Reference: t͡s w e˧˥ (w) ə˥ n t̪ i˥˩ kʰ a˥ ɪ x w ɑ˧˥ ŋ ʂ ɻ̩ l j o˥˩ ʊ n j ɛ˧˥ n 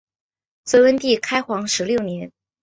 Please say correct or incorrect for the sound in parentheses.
correct